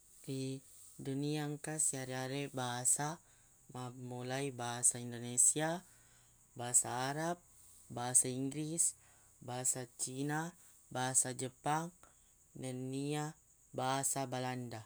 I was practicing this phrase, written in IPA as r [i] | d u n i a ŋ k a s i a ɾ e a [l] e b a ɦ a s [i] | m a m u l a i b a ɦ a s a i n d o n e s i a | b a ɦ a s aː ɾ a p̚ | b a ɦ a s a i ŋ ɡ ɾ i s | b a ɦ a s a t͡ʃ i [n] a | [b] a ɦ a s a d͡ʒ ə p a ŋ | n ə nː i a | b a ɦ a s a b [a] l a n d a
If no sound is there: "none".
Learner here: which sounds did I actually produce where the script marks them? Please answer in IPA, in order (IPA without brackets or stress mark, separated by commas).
i, ɾ, a, n, b, a